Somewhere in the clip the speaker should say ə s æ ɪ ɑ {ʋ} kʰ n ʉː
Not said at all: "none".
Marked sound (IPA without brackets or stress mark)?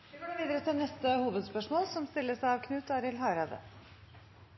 ʋ